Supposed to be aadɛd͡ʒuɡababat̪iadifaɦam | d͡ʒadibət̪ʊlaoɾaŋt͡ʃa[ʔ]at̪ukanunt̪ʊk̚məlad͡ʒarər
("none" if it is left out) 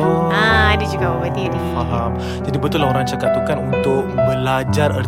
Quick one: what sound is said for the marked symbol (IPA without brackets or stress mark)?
k